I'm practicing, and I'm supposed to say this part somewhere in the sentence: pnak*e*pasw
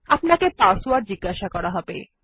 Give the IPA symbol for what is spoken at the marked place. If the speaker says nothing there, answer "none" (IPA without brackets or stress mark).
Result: e